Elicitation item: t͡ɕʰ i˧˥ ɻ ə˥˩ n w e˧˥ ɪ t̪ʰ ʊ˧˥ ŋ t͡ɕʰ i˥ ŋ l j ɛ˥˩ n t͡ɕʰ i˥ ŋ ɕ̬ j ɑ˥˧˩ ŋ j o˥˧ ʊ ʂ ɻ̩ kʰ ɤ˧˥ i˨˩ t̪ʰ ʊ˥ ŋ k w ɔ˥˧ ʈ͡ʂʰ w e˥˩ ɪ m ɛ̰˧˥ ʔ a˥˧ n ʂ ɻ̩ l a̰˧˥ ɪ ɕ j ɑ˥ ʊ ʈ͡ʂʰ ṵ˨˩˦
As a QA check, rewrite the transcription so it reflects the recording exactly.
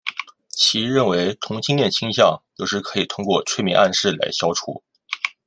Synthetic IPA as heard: t͡ɕʰ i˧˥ ɻ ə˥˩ n w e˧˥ ɪ t̪ʰ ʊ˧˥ ŋ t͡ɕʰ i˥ ŋ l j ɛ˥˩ n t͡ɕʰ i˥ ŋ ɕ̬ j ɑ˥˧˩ ŋ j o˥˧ ʊ ʂ ɻ̩ kʰ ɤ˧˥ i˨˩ t̪ʰ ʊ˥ ŋ k w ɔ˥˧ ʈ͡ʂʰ w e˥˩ ɪ m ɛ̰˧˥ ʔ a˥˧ n ʂ ɻ̩ l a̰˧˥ ɪ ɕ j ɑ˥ ʊ ʈ͡ʂʰ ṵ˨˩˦